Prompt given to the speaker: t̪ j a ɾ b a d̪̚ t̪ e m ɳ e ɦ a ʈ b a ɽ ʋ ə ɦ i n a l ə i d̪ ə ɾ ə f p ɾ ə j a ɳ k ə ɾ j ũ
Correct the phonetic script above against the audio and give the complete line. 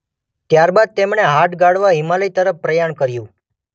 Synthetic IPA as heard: t̪ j a ɾ b a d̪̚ t̪ e m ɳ e ɦ a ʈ ɡ a ɽ ʋ a ɦ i m a l ə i t̪ ə ɾ ə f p ɾ ə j a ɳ k ə ɾ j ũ

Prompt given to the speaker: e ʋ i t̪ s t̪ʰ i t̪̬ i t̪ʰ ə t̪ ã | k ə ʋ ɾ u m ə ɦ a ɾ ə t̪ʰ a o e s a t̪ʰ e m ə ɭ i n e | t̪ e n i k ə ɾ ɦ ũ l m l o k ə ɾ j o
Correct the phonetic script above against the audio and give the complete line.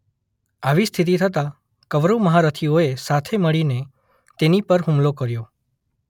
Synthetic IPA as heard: a ʋ i s t̪ʰ i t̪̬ i t̪ʰ ə t̪ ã | k ə ʋ ɾ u m ə ɦ a ɾ ə t̪ʰ i o e s a t̪ʰ e m ə ɭ i n e | t̪ e n i p ə ɾ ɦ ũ m l o k ə ɾ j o

